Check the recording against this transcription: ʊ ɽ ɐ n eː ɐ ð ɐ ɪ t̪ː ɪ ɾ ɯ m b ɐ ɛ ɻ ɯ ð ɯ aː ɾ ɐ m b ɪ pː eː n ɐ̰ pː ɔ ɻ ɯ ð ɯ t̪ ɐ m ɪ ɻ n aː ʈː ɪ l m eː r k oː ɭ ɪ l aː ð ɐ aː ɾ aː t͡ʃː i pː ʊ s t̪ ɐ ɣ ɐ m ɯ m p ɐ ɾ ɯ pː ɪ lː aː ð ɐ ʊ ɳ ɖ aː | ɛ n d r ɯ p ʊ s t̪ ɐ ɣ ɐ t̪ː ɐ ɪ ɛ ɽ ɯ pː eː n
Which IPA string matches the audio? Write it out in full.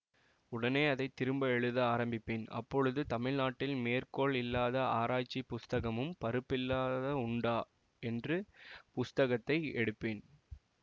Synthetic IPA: ʊ ɽ ɐ n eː ɐ ð ɐ ɪ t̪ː ɪ ɾ ɯ m b ɐ ɛ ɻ ɯ ð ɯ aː ɾ ɐ m b ɪ pː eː n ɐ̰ pː ɔ ɻ ɯ ð ɯ t̪ ɐ m ɪ ɻ n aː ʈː ɪ l m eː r k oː ɭ ɪ lː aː ð ɐ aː ɾ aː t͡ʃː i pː ʊ s t̪ ɐ ɣ ɐ m ɯ m p ɐ ɾ ɯ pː ɪ lː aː ð ɐ ʊ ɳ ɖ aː | ɛ n d r ɯ p ʊ s t̪ ɐ ɣ ɐ t̪ː ɐ ɪ ɛ ɽ ɯ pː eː n